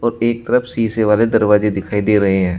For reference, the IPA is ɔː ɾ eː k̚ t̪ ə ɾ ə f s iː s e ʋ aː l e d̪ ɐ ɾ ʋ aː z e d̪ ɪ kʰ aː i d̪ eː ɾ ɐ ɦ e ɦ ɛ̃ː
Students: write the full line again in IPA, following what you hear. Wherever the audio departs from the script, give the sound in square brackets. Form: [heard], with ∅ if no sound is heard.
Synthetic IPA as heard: ɔː ɾ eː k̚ t̪ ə ɾ ə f s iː s e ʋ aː l e d̪ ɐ ɾ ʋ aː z e d̪ ɪ kʰ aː i d̪ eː ɾ ɐ ɦ e ɦ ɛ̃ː